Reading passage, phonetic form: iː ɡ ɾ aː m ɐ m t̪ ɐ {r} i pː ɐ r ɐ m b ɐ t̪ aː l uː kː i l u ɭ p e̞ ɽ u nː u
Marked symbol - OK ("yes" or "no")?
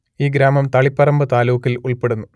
no